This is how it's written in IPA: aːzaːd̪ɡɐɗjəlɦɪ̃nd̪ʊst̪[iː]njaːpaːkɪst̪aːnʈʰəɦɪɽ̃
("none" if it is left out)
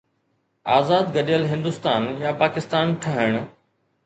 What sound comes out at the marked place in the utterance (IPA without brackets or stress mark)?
aː